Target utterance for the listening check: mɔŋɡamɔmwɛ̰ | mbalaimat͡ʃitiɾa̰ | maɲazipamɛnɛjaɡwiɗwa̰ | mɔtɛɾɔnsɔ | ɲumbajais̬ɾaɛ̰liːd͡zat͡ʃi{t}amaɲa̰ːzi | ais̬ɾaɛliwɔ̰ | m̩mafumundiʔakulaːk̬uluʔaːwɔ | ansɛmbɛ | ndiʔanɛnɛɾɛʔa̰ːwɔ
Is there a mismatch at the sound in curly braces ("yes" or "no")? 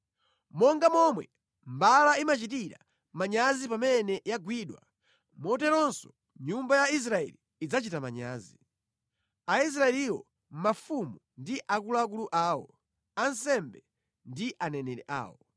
no